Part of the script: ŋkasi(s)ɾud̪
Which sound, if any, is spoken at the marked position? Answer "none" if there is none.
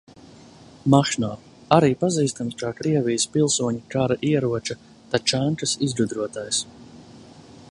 z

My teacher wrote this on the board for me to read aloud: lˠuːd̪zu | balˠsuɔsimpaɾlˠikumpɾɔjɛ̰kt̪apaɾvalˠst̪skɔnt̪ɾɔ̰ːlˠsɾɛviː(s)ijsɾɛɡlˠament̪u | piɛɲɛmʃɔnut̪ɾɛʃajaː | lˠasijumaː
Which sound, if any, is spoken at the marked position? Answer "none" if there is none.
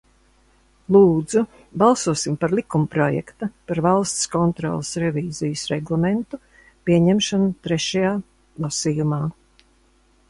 z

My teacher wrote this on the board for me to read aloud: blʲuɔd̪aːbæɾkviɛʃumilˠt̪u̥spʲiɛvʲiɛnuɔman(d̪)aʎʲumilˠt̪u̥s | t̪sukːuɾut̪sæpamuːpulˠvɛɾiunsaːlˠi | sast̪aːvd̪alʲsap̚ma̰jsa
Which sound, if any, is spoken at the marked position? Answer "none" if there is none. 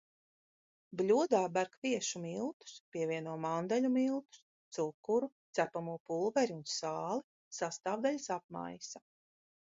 d̪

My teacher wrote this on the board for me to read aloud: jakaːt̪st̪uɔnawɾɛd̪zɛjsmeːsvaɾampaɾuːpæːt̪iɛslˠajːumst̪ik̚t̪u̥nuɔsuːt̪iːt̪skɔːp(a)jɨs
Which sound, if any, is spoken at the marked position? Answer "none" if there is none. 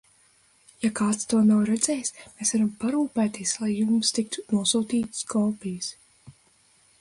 i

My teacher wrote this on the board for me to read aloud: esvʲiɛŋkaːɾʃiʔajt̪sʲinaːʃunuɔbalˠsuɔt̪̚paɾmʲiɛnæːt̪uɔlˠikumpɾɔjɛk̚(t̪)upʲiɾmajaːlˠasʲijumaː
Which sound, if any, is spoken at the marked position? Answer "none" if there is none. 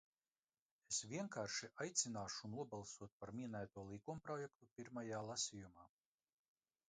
t̪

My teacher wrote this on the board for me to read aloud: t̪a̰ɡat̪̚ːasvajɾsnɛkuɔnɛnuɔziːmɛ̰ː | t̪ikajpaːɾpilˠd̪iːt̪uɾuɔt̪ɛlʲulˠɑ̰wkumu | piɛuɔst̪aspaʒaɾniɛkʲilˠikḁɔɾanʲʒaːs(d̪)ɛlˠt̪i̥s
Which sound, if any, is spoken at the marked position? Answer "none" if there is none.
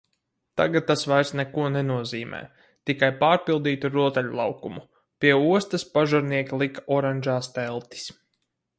t̪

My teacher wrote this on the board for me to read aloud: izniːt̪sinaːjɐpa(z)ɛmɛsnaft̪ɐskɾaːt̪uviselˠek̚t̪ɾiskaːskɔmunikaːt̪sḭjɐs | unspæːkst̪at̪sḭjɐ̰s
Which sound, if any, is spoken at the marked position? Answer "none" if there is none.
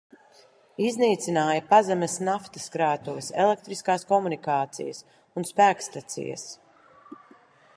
z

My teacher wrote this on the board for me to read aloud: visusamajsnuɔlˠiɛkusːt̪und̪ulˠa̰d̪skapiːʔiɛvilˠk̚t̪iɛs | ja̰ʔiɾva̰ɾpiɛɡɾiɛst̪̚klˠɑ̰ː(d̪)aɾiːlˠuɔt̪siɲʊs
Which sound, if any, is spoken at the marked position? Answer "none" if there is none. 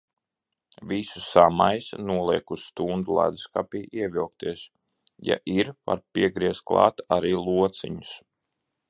t̪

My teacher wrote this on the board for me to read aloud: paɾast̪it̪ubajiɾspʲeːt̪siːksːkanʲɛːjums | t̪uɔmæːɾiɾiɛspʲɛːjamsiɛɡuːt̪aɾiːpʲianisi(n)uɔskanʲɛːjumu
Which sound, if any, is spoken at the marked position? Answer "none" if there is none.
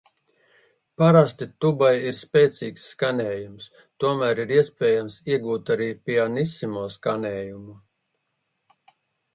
m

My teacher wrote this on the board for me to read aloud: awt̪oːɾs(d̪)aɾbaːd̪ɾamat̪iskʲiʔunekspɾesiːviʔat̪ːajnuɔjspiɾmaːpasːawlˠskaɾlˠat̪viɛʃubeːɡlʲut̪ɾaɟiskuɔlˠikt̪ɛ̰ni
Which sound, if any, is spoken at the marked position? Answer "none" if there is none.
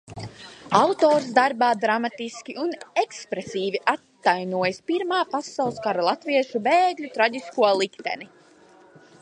d̪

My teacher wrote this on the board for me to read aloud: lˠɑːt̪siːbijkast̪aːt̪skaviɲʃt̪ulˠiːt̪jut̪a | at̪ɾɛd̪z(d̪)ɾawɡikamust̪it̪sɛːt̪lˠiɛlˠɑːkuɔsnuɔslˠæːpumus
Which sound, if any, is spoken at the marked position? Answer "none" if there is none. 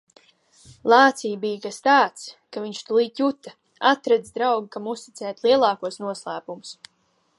d̪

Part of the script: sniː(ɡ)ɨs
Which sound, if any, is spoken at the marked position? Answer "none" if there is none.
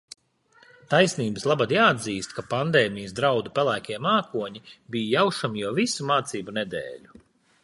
b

